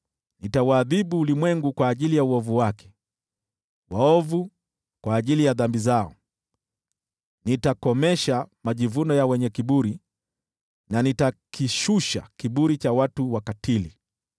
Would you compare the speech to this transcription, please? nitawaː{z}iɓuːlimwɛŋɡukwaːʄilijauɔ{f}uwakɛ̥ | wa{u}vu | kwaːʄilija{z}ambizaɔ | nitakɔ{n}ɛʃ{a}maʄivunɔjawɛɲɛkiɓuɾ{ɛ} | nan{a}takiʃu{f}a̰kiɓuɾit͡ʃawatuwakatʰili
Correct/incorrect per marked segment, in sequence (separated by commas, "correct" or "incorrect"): incorrect, incorrect, incorrect, incorrect, incorrect, correct, incorrect, incorrect, incorrect